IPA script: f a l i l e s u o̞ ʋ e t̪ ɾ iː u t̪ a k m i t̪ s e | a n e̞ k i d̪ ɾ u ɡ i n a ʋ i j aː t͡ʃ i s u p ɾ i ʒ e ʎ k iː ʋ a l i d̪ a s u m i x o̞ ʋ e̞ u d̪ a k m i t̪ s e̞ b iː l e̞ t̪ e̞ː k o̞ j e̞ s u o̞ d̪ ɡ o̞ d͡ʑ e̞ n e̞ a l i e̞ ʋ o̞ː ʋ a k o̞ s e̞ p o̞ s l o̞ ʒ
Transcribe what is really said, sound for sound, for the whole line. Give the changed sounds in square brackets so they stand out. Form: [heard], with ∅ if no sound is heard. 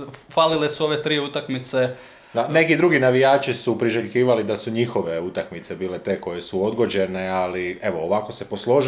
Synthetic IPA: f a l i l e s u o̞ ʋ e t̪ ɾ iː u t̪ a k m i t̪ s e | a n e̞ k i d̪ ɾ u ɡ i n a ʋ i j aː t͡ʃ i s u p ɾ i ʒ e ʎ k iː ʋ a l i d̪ a s u [ɲ] i x o̞ ʋ e̞ u [t̪] a k m i t̪ s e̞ b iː l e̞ t̪ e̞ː k o̞ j e̞ s u o̞ d̪ ɡ o̞ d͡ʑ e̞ n e̞ a l i e̞ ʋ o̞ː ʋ a k o̞ s e̞ p o̞ s l o̞ ʒ